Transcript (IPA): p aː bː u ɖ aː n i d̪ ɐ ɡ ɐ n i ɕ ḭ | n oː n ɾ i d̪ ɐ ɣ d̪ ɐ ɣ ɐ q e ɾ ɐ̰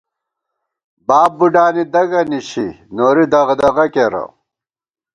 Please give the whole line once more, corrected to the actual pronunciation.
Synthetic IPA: b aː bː u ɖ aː n i d̪ ɐ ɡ ɐ n i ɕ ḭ | n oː ɾ i d̪ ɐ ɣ d̪ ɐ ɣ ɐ k e ɾ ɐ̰